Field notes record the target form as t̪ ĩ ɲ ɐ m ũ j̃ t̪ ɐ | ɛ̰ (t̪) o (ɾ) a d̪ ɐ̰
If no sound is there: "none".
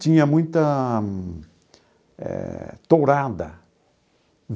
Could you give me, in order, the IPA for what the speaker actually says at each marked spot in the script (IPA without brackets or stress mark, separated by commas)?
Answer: t̪, ɾ